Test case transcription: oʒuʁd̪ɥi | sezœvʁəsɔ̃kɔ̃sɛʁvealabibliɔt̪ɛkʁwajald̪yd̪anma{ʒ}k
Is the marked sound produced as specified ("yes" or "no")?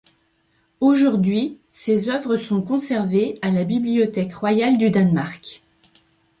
no